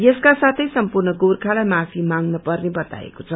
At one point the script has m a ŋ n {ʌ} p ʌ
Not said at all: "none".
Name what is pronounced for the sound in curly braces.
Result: ʌ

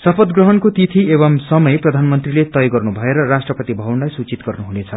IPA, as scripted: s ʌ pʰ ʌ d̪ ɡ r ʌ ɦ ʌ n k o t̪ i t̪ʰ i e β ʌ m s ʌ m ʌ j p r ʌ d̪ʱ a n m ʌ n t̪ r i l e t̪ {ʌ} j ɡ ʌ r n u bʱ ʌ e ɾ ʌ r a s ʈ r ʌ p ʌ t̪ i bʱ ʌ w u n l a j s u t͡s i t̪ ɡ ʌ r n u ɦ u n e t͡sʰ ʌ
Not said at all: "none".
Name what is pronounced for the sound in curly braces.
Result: ʌ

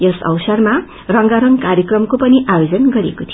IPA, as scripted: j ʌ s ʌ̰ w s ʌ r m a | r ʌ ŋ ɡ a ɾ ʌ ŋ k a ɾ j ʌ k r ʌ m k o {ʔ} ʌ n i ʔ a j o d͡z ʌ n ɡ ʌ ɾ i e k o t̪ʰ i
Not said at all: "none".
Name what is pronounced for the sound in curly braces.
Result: p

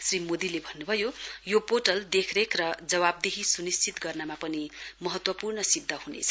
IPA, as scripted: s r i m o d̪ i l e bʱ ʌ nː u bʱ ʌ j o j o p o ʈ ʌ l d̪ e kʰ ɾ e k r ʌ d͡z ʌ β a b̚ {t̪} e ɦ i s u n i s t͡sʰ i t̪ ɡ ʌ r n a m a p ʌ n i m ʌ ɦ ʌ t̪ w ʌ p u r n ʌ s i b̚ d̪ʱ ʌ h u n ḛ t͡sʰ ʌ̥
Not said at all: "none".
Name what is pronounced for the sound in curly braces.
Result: d̪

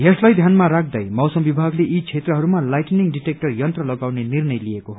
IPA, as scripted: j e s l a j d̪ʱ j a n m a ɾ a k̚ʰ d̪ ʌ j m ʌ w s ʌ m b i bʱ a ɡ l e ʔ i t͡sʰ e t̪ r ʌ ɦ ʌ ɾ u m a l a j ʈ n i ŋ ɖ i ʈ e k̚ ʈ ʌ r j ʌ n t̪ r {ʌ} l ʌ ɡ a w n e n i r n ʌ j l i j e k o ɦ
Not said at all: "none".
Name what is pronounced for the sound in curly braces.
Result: ʌ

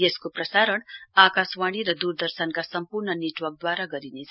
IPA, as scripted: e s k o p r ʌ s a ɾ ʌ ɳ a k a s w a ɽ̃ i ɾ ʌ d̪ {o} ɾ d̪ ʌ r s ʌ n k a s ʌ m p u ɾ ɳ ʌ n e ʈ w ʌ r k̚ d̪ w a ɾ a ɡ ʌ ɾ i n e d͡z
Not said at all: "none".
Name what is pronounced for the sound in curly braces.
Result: u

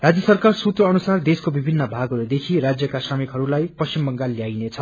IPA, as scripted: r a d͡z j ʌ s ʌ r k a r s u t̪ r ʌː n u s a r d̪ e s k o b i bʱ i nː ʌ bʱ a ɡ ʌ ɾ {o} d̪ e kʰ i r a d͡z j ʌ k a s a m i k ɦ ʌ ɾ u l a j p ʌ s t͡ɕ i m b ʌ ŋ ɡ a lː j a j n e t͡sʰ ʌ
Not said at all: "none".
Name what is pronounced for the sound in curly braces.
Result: u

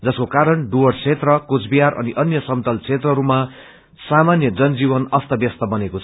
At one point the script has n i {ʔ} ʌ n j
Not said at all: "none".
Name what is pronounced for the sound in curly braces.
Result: ʔ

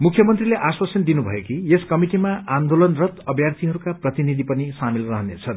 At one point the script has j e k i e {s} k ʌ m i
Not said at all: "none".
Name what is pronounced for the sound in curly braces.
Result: s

